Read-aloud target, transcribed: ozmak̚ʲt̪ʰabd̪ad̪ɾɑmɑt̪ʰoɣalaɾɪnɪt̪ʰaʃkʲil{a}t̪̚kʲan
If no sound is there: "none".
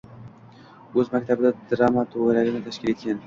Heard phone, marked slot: e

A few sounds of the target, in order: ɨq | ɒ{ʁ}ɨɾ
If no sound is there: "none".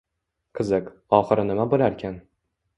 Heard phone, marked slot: χ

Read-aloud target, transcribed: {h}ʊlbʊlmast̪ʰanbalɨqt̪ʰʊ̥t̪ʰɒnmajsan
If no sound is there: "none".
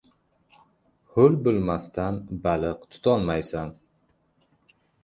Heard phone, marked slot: h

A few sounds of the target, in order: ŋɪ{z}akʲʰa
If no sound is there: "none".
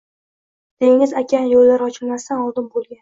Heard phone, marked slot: z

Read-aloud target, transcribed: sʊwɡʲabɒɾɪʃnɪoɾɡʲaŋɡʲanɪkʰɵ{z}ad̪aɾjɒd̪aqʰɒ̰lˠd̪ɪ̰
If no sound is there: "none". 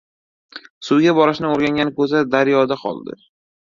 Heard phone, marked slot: z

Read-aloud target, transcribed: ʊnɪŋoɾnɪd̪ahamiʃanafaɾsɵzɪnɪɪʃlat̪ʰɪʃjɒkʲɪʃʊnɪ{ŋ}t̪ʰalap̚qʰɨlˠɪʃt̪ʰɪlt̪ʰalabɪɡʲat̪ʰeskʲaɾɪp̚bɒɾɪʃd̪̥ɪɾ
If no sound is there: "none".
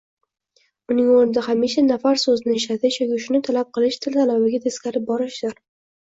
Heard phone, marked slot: none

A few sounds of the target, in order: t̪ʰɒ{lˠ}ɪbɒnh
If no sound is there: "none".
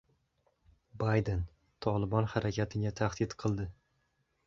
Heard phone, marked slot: lˠ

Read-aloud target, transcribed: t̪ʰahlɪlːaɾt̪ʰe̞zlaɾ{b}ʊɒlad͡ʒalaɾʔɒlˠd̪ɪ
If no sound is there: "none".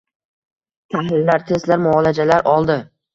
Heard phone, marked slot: m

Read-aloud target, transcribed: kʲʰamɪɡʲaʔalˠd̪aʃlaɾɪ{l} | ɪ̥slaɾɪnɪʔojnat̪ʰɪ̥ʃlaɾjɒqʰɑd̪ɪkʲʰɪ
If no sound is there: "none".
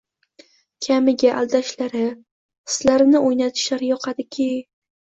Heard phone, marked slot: none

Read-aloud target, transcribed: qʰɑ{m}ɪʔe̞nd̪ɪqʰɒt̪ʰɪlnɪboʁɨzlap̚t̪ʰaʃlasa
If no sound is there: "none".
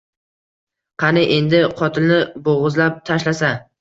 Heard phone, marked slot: n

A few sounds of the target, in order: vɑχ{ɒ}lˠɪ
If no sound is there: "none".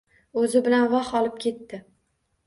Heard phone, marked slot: ɒ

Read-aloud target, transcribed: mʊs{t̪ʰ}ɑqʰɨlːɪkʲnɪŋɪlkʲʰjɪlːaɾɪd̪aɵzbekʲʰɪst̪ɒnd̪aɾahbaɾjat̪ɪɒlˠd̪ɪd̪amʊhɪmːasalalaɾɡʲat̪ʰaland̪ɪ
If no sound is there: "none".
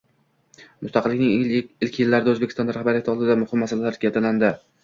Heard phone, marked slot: t̪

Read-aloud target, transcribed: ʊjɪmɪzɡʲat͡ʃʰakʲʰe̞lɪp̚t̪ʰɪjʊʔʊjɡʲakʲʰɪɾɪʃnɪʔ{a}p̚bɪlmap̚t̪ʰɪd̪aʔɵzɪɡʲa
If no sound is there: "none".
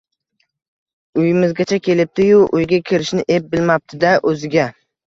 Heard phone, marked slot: e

